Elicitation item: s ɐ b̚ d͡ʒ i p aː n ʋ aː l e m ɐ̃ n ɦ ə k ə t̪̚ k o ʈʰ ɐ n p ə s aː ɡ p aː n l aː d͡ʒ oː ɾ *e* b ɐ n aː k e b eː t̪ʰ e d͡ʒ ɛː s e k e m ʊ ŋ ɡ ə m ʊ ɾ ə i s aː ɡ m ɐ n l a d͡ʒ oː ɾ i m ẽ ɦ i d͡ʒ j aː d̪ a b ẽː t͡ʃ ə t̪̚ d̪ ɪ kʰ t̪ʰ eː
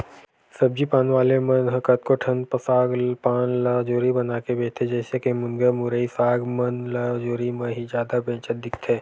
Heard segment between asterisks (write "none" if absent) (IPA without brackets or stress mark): i